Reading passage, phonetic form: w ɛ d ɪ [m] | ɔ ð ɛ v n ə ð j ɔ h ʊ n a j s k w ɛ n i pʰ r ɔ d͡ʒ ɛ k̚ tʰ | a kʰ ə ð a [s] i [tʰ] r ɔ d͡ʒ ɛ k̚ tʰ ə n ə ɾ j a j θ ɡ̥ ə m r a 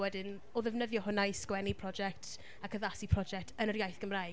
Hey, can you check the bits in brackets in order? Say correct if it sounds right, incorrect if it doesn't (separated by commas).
incorrect, correct, incorrect